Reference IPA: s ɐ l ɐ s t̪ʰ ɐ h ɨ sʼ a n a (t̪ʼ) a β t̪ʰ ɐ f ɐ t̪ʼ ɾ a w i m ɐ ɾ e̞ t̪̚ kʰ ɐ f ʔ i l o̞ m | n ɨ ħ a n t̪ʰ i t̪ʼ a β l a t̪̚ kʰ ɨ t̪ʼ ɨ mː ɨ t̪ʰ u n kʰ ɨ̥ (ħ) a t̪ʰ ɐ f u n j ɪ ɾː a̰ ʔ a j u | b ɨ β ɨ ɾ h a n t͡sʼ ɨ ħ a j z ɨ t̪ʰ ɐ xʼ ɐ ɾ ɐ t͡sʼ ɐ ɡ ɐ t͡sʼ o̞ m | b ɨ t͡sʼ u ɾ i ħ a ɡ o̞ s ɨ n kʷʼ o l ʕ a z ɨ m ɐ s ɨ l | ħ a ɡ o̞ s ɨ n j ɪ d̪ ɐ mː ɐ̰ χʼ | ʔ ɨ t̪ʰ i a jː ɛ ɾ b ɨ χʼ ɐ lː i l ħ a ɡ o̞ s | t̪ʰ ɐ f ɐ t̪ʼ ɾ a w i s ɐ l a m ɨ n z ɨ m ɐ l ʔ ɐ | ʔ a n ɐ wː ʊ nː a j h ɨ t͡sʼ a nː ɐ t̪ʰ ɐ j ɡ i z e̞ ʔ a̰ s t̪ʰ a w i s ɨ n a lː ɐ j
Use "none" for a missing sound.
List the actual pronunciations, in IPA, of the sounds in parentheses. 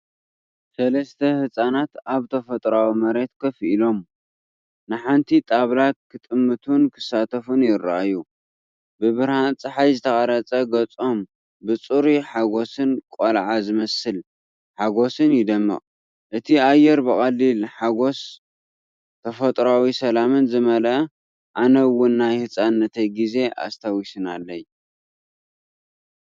t̪, s

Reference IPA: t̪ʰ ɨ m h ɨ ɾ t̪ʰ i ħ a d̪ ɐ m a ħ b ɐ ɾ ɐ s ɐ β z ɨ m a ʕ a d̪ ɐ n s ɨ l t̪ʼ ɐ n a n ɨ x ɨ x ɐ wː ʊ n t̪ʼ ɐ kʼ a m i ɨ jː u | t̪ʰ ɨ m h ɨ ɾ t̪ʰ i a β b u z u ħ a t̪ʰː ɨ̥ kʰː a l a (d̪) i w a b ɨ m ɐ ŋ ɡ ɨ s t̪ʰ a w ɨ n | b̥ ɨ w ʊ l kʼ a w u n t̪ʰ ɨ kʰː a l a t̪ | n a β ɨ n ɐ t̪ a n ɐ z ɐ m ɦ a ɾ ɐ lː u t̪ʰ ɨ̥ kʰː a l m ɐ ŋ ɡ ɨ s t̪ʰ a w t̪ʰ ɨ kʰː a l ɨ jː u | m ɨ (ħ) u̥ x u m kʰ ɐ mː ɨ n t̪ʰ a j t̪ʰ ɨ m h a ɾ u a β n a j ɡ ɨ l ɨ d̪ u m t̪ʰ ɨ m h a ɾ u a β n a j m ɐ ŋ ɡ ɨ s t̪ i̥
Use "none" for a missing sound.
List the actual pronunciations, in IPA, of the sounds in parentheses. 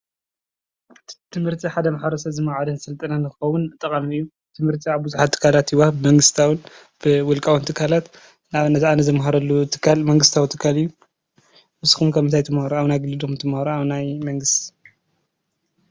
t̪, s

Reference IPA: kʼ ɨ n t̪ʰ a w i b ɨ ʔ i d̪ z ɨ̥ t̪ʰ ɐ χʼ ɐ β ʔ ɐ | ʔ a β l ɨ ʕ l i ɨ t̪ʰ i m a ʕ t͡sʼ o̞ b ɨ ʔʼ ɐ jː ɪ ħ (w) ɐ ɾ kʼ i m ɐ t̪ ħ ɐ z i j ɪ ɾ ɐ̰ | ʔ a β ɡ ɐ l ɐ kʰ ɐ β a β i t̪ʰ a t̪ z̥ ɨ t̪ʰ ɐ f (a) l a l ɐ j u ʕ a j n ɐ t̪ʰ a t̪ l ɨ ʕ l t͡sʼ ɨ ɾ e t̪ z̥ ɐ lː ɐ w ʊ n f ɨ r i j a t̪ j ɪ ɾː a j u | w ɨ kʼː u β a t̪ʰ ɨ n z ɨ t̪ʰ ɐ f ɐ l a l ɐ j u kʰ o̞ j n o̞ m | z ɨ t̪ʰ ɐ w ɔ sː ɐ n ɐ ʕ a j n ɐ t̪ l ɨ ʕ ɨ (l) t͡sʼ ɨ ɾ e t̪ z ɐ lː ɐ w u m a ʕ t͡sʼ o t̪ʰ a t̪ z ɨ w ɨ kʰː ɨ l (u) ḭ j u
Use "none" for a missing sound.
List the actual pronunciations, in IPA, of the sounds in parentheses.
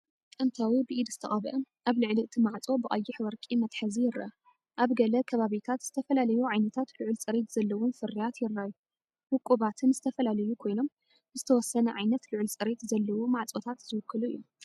w, ɐ, l, u

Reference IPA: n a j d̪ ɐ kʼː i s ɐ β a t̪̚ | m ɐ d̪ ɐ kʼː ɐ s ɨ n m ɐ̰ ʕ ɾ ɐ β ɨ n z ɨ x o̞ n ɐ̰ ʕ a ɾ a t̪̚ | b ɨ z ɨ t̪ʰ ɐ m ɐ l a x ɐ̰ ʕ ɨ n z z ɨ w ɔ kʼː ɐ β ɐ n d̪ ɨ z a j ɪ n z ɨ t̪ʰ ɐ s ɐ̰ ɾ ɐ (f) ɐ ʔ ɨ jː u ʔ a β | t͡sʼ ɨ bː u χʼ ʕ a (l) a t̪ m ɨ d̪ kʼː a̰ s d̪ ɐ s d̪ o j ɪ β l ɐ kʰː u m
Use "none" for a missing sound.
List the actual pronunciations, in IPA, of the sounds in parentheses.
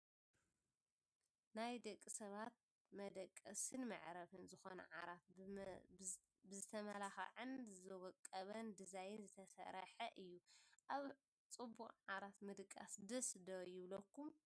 ħ, ɾ

